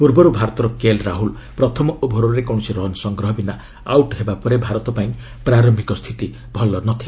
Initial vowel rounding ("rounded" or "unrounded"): rounded